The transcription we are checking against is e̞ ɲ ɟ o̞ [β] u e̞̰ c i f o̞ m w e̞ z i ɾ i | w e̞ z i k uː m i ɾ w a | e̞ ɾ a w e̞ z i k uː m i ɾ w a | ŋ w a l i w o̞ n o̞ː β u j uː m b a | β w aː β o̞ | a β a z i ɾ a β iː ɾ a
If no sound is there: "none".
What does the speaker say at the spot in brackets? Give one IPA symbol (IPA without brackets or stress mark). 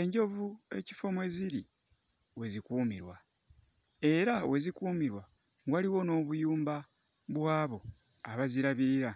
v